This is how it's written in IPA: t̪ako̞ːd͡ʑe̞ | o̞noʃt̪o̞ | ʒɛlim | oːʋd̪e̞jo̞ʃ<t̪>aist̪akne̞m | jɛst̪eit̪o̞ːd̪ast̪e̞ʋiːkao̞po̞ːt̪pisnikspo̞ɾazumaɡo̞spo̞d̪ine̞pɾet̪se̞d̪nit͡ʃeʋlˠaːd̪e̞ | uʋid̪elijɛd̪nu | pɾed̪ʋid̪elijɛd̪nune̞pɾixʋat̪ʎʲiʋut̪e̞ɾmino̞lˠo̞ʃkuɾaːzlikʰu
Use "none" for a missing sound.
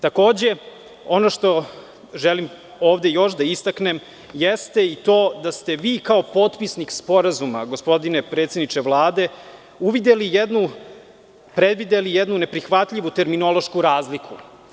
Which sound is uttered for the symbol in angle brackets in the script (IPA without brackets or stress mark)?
d̪